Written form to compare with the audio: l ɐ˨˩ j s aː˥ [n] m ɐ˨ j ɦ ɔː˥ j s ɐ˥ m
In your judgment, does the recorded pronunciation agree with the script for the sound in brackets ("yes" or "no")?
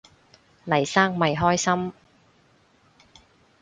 no